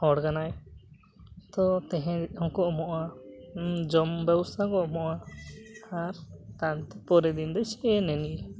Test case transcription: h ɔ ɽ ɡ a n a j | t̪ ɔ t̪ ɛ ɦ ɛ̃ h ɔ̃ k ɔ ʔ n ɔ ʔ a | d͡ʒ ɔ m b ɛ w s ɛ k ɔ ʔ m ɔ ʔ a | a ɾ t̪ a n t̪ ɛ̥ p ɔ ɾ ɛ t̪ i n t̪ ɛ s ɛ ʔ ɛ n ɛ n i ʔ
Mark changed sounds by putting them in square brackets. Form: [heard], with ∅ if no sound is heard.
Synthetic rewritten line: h ɔ ɽ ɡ a n a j | t̪ ɔ t̪ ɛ ɦ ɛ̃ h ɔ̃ k ɔ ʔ [m] ɔ ʔ a | d͡ʒ ɔ m b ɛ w s [a] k ɔ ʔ m ɔ ʔ a | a ɾ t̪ a n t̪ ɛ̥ p ɔ ɾ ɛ [d̪] i n [d̪] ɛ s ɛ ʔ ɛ n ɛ n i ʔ